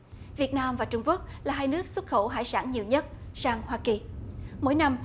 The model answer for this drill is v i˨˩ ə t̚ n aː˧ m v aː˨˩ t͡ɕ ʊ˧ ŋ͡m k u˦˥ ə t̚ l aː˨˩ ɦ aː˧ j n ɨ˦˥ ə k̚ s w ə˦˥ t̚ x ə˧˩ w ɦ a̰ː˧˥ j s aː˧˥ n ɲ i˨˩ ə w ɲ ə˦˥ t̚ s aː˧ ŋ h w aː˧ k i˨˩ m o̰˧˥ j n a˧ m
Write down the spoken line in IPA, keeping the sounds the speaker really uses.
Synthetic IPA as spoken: v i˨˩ ə t̚ n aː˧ m v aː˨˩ t͡ɕ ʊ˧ ŋ͡m k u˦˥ ə k̚ l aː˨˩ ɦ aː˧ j n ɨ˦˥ ə k̚ s w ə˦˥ t̚ x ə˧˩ w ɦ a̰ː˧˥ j s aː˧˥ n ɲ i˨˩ ə w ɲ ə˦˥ t̚ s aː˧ ŋ h w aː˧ k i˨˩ m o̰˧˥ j n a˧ m